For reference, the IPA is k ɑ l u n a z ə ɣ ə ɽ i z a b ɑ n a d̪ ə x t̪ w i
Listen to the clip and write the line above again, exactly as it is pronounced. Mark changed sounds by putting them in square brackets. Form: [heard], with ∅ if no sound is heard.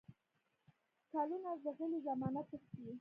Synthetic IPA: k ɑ l u n a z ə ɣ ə [l] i z a [m] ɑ n a [t̪] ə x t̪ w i